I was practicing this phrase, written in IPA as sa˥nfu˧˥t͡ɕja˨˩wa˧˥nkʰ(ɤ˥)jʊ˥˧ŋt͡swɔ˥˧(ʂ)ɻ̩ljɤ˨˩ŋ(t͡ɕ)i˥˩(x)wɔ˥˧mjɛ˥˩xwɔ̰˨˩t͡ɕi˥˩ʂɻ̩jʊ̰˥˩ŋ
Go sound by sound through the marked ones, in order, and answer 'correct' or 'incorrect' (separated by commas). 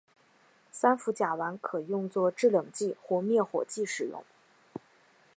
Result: incorrect, incorrect, correct, correct